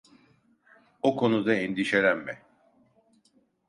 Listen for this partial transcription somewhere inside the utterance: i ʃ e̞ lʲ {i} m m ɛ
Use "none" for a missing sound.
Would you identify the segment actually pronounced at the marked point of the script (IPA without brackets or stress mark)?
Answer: æ